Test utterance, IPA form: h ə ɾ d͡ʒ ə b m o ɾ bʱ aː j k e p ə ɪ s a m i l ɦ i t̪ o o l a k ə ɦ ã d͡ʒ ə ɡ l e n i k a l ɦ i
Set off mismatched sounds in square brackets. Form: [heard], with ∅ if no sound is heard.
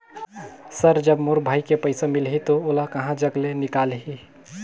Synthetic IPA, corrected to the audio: [s] ə ɾ d͡ʒ ə b m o ɾ bʱ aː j k e p ə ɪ s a m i l ɦ i t̪ o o l a k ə ɦ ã d͡ʒ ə ɡ l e n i k a l ɦ i